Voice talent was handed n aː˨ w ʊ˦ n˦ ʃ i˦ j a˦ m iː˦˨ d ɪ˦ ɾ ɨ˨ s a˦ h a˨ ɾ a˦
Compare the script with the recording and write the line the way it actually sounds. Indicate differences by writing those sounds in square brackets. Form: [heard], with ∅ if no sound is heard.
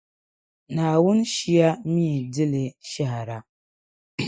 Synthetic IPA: n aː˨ w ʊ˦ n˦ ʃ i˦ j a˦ m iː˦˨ d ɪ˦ [l] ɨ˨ [ʃ] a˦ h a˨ ɾ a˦